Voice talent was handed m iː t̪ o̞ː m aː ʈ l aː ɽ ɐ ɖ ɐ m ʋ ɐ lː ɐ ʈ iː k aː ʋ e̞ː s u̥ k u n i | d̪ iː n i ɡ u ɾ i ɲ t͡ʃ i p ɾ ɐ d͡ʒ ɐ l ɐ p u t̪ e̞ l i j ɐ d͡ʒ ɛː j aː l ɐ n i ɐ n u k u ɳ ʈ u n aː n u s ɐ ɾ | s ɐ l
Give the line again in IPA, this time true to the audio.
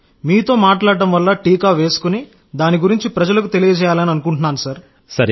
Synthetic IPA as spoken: m iː t̪ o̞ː m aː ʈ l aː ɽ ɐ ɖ ɐ m ʋ ɐ lː ɐ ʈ iː k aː ʋ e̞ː s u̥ k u n i | d̪ aː n i ɡ u ɾ i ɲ t͡ʃ i p ɾ ɐ d͡ʒ ɐ l ɐ k u t̪ e̞ l i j ɐ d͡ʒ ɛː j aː l ɐ n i ɐ n u k u ɳ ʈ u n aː n u s ɐ ɾ | s ɐ ɾ